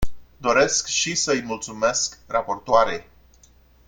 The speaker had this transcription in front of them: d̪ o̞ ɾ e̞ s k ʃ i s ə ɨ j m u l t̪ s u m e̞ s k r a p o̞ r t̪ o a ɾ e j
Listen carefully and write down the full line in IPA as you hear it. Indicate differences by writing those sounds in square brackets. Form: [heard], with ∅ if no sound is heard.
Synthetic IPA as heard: d̪ o̞ ɾ e̞ s k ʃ i s ə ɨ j m u l t̪ s u m e̞ s k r a p o̞ r t̪ o a ɾ e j